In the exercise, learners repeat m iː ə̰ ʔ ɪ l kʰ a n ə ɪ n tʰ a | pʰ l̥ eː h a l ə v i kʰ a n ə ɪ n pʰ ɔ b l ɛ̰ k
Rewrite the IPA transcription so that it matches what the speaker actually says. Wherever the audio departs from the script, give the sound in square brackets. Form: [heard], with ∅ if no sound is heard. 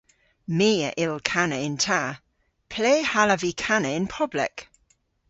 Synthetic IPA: m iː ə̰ ʔ ɪ l kʰ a n ə ɪ n tʰ a | pʰ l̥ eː h a l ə v i kʰ a n ə ɪ n pʰ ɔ b l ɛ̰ k